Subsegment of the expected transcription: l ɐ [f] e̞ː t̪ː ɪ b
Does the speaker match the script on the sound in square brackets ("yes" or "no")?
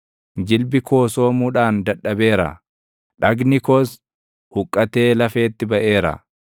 yes